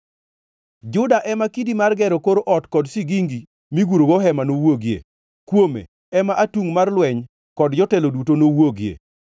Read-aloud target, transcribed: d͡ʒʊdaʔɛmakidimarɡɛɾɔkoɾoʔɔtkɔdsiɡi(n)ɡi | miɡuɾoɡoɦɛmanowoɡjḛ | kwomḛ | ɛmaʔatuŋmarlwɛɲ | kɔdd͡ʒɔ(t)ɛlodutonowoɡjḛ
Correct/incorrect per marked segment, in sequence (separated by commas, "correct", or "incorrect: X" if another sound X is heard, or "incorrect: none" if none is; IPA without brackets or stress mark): incorrect: ŋ, correct